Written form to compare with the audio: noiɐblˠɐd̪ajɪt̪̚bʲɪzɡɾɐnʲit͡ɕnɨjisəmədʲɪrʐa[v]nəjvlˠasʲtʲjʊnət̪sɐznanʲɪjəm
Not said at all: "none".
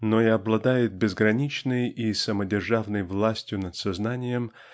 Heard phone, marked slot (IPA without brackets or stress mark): v